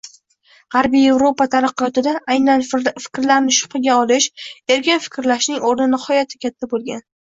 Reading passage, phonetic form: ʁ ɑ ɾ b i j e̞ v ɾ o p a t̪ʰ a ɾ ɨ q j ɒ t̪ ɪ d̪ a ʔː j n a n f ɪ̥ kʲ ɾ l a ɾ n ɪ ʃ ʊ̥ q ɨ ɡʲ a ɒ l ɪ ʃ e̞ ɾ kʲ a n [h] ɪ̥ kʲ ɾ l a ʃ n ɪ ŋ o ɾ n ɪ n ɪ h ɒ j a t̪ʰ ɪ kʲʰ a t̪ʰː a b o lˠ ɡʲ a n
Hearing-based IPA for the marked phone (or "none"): f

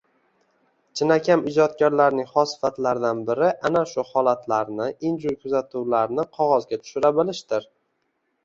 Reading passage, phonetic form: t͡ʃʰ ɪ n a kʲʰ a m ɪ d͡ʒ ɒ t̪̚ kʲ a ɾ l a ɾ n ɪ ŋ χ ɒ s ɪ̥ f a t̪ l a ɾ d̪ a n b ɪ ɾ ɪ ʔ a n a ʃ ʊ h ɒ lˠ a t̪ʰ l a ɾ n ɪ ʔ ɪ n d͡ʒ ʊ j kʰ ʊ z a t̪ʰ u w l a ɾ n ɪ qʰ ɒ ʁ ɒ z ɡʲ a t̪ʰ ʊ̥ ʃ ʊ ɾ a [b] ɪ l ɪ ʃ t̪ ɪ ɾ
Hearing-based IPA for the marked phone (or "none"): b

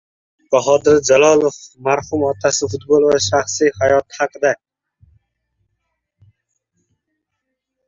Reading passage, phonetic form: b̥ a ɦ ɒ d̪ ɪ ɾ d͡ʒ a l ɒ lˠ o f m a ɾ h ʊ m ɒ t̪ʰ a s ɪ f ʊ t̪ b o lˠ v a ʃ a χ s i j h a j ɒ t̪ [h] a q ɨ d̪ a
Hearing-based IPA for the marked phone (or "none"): h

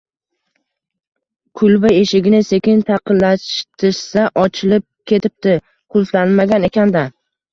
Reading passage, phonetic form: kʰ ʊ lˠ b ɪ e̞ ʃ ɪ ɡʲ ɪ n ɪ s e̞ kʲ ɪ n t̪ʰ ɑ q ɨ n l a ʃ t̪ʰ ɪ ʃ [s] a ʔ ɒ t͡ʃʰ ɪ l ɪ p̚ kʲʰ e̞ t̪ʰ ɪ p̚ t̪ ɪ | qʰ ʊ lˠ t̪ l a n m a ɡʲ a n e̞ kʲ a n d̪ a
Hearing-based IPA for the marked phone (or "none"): s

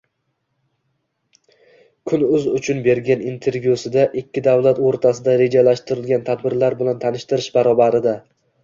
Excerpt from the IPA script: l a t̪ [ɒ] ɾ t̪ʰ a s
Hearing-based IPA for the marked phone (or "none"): o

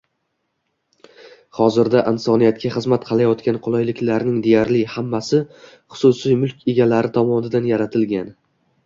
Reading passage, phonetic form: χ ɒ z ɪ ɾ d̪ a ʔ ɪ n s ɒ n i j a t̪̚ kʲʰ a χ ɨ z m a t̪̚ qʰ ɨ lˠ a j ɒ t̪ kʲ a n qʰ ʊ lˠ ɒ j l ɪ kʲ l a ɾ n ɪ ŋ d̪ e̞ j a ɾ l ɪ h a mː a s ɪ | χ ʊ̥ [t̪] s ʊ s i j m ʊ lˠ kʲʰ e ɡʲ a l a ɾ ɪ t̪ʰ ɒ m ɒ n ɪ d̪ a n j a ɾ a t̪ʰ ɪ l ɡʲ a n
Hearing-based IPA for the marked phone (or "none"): none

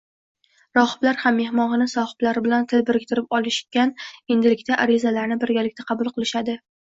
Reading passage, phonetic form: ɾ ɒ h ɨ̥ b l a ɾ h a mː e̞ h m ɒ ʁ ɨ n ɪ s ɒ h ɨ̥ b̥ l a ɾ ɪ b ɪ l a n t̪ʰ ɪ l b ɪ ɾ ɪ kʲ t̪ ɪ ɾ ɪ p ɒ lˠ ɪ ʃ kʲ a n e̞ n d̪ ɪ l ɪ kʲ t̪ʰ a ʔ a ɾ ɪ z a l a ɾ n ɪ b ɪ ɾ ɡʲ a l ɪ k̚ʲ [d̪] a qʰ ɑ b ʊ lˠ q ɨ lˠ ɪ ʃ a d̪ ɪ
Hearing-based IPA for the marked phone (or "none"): t̪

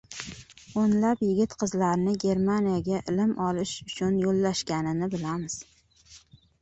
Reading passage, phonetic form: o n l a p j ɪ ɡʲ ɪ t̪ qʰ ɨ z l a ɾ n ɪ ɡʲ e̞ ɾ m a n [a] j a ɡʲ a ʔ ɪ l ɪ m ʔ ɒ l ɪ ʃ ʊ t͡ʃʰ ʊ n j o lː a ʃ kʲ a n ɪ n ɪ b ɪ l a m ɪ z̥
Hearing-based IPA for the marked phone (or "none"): i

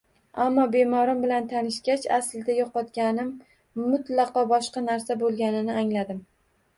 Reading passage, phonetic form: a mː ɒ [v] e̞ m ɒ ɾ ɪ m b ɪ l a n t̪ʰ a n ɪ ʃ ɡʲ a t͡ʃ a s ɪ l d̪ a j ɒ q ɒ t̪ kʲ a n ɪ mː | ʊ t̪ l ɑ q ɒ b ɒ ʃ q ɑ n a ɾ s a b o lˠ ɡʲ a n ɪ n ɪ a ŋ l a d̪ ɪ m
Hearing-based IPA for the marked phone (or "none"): b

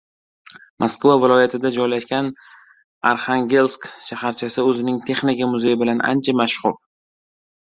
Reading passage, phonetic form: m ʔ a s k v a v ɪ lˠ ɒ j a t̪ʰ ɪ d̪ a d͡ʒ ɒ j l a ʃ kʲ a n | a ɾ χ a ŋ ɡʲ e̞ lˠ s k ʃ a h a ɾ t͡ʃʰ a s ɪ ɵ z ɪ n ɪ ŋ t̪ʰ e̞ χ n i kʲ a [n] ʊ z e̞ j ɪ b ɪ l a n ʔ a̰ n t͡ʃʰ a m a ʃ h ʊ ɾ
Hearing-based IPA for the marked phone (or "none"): m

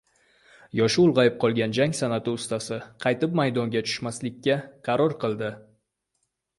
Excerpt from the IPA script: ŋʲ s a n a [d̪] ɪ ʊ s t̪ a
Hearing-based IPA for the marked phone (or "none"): t̪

